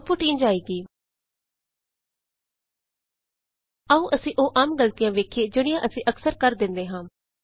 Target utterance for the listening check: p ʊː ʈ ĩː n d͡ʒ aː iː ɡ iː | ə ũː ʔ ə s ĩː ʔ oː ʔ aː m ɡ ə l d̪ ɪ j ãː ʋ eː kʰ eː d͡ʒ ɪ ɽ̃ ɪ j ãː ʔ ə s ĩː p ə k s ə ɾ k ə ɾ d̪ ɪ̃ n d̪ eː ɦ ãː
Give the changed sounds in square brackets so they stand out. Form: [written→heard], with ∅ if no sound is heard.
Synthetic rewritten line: p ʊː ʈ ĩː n d͡ʒ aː iː ɡ iː | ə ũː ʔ ə s ĩː ʔ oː ʔ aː m ɡ ə l [d̪→t̪] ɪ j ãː ʋ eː kʰ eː d͡ʒ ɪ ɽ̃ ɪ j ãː ʔ ə s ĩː [p→ʔ] ə k s ə ɾ k ə ɾ d̪ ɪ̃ n d̪ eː ɦ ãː

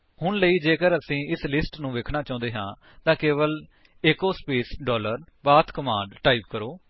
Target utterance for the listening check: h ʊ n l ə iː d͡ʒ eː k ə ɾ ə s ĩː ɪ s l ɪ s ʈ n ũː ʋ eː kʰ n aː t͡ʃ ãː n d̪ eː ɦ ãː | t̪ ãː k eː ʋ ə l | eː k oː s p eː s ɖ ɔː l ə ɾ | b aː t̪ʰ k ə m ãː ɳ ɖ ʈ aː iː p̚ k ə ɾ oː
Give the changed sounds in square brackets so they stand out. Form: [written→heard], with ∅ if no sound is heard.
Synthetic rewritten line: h ʊ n l ə iː d͡ʒ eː k ə ɾ ə s ĩː ɪ s l ɪ s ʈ n ũː ʋ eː kʰ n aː t͡ʃ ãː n d̪ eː ɦ ãː | t̪ ãː k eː ʋ ə l | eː k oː s p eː s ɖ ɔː l ə ɾ | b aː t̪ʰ k ə m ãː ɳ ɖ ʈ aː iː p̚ k ə ɾ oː

